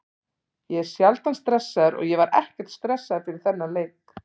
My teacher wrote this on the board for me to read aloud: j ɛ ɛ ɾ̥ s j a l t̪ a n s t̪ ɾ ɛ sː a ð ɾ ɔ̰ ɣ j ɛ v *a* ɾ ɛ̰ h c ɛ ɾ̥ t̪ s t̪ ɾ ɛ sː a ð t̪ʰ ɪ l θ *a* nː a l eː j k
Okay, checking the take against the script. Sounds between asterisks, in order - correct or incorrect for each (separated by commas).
correct, incorrect